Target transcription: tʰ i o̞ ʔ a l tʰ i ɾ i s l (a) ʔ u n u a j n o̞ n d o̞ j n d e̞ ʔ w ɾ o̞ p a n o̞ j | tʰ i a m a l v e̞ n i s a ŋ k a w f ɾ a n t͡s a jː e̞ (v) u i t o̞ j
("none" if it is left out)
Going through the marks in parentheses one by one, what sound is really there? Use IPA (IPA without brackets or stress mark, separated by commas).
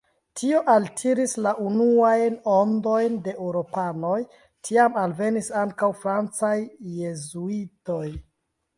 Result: a, z